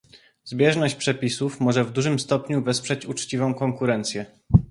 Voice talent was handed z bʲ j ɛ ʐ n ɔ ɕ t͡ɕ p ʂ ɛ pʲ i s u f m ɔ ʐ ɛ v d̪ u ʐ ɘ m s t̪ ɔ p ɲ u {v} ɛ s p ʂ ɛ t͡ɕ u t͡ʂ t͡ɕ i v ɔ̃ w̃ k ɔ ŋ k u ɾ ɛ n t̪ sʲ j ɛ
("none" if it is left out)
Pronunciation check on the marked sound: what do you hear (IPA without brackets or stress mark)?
v